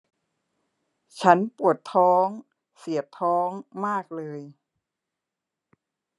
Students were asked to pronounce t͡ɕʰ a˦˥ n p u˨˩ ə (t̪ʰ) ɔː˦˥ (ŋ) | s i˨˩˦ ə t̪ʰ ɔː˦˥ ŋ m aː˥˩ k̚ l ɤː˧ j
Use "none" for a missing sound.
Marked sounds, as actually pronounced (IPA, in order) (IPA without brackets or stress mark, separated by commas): t̪ʰ, ŋ